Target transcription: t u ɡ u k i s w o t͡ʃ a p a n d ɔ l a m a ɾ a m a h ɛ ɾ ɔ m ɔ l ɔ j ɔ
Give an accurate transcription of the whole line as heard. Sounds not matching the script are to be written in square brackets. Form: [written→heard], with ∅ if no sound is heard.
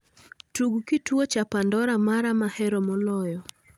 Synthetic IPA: t u ɡ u k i [s→t] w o t͡ʃ a p a n d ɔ [l→ɾ] a m a ɾ a m a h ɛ ɾ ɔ m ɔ l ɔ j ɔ